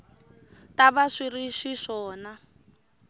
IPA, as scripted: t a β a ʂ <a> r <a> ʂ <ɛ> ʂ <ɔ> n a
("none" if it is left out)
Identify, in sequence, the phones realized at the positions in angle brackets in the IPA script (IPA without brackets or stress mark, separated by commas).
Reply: i, i, i, ɔː